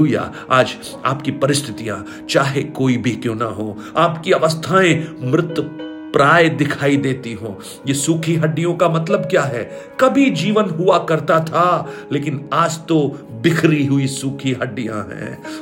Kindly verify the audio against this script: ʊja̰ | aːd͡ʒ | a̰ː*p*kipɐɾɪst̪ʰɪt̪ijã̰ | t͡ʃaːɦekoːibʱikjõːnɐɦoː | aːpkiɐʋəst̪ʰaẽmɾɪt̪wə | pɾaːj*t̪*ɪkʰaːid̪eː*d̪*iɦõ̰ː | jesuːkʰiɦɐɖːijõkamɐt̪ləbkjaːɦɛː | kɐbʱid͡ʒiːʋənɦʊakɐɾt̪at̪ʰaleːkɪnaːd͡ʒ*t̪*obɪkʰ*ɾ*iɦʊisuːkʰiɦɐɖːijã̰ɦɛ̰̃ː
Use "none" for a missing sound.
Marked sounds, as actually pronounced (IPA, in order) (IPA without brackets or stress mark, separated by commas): p, d̪, t̪, t̪, ɾ